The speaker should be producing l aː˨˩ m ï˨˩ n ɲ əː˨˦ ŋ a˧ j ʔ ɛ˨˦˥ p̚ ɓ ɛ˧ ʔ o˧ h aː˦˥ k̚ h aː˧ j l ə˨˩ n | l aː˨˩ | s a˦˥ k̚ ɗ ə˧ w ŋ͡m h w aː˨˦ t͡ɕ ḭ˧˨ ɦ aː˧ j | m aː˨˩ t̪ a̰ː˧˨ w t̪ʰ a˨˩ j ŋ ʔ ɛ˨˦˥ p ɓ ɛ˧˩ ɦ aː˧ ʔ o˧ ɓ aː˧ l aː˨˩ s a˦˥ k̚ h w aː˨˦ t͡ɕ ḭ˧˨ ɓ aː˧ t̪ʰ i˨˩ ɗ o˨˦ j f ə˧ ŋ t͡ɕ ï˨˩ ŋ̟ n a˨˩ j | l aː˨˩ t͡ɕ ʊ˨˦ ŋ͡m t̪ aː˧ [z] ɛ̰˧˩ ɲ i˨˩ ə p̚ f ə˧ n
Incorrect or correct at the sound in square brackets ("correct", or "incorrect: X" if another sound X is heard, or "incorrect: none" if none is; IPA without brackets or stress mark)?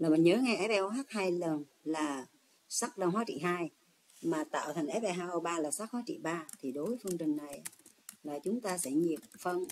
incorrect: s